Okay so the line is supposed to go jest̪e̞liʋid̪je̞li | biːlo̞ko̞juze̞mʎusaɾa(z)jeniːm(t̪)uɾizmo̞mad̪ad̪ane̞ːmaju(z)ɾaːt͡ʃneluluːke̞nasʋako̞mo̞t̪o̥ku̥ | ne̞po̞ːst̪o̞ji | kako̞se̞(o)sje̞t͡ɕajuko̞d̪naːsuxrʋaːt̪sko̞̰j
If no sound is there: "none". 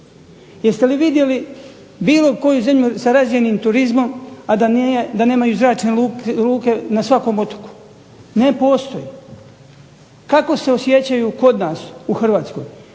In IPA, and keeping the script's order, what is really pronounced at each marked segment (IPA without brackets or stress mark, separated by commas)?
z, t̪, z, o